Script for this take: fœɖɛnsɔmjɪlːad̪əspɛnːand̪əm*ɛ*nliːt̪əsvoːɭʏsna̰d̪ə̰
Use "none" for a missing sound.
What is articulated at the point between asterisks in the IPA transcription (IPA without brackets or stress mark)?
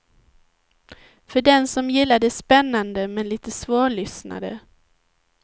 ɛ